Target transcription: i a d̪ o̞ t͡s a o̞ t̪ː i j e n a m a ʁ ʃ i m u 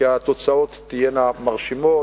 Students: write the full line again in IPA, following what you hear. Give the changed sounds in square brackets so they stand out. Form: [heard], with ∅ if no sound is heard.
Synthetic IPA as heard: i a [t̪] o̞ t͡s a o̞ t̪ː i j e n a m a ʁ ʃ i m [o]